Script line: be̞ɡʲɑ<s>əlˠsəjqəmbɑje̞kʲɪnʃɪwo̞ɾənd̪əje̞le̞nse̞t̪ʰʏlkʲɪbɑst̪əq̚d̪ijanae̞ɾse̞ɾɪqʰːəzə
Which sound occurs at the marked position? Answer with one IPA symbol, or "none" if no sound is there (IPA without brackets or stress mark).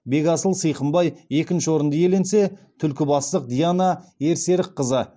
s